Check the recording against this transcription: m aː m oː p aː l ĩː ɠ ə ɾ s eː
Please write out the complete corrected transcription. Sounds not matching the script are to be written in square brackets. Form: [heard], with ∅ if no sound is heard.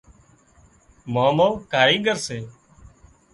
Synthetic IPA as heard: m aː m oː [k] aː [ɾ] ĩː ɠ ə ɾ s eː